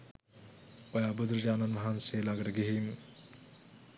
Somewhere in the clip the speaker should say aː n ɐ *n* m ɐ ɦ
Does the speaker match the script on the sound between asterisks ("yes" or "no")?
yes